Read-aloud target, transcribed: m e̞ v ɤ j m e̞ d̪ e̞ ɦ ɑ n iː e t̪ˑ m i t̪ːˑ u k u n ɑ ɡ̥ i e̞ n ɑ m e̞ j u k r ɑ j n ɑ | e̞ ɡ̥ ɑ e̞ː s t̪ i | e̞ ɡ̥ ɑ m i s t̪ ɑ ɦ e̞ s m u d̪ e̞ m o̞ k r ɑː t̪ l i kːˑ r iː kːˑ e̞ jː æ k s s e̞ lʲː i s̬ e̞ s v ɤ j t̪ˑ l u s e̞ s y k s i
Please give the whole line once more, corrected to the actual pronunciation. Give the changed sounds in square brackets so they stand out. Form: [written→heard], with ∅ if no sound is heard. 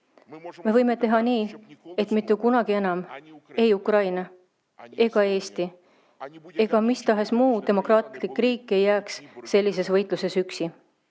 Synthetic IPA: m e̞ v ɤ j m e̞ [d̪→t̪] e̞ ɦ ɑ n iː e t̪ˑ m i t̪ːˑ u k u n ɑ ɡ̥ i e̞ n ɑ m e̞ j u k r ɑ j n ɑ | e̞ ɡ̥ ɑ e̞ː s t̪ i | e̞ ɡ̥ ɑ m i s t̪ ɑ ɦ e̞ s m [u→uː] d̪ e̞ m o̞ k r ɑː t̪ l i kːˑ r iː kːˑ e̞ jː [æ→æː] k s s e̞ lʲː i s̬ e̞ s v ɤ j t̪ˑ l u s e̞ s y k s i